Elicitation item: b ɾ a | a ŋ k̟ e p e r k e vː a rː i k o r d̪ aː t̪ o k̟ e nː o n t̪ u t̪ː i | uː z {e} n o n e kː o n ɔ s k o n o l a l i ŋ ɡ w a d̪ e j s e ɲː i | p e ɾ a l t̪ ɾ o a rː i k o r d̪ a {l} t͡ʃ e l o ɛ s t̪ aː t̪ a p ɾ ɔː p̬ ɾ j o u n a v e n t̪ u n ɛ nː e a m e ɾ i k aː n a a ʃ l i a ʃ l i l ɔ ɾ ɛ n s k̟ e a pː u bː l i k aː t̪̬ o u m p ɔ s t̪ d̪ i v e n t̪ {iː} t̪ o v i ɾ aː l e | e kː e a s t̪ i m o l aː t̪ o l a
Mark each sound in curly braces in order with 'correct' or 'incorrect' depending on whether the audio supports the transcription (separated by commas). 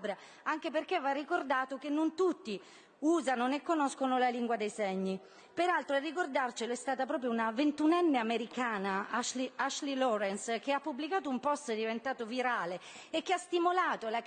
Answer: incorrect, incorrect, incorrect